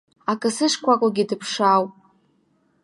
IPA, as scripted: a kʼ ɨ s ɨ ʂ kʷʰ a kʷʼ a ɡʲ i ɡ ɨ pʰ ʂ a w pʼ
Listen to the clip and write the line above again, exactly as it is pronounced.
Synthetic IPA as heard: a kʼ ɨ s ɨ ʂ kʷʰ a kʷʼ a ɡʲ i d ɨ pʰ ʂ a w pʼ